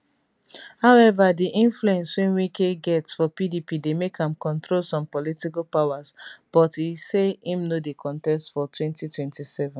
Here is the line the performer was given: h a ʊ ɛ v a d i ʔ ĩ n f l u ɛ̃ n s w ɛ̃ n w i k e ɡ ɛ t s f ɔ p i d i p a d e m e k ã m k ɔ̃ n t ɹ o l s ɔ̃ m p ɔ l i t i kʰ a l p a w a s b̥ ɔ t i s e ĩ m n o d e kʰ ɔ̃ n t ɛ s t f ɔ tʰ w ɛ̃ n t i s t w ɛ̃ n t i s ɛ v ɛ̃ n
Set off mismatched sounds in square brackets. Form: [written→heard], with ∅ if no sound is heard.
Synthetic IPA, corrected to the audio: h a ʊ ɛ v a d i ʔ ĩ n f l u ɛ̃ n s w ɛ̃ n w i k e ɡ ɛ t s f ɔ p i d i p [a→i] d e m e k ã m k ɔ̃ n t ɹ o l s ɔ̃ m p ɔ l i t i [kʰ→k] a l p a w a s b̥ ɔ t i s e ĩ m n o d e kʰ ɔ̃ n t ɛ s t f ɔ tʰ w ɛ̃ n t i [s→∅] t w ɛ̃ n t i s ɛ v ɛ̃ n